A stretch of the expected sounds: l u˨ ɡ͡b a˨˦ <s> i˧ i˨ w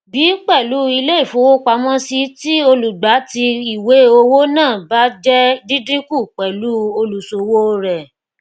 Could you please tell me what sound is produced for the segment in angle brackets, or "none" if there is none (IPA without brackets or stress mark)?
t